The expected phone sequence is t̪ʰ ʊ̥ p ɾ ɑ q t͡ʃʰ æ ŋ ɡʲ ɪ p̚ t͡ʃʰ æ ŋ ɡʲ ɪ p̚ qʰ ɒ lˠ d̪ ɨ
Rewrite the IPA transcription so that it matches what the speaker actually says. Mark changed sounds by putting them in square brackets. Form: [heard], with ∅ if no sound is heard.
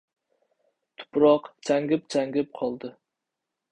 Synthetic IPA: t̪ʰ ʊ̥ p ɾ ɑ q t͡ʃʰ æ ŋ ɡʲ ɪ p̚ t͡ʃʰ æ ŋ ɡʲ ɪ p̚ qʰ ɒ lˠ d̪ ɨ